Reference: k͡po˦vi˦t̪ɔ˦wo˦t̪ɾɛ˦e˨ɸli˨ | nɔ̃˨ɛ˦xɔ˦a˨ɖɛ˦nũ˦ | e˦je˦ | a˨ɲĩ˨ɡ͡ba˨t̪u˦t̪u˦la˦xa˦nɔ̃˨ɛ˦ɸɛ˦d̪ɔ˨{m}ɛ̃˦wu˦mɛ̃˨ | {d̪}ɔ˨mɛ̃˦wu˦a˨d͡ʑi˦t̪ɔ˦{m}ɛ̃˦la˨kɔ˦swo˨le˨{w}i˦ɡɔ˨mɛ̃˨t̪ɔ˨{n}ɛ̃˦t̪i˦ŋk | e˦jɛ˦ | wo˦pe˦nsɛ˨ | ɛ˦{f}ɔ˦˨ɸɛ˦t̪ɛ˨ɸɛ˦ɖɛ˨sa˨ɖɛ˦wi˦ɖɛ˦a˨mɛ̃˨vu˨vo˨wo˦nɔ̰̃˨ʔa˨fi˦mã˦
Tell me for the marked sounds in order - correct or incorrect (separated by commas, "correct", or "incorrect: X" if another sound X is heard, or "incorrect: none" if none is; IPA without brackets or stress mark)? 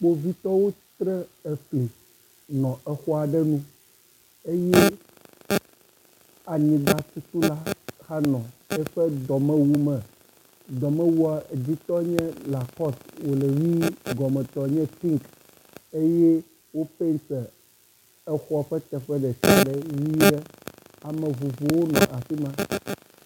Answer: correct, correct, incorrect: ɲ, correct, incorrect: ɲ, incorrect: x